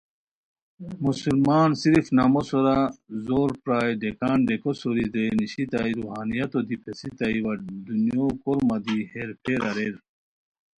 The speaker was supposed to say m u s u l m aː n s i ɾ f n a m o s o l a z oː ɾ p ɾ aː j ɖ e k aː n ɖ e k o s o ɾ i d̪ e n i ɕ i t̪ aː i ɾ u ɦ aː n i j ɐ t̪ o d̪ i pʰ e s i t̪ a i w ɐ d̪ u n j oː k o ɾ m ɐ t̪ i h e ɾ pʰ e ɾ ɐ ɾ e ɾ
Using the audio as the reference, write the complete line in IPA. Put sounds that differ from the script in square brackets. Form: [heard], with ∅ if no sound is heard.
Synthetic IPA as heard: m u s u l m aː n s i ɾ f n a m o s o [ɾ] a z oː ɾ p ɾ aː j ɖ e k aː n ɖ e k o s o ɾ i d̪ e n i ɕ i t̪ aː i ɾ u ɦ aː n i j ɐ t̪ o d̪ i pʰ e s i t̪ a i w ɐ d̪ u n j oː k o ɾ m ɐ [d̪] i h e ɾ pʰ e ɾ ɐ ɾ e ɾ